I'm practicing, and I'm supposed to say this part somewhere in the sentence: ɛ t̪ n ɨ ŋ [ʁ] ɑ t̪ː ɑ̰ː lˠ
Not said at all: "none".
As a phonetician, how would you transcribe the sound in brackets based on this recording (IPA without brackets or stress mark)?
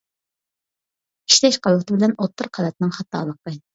χ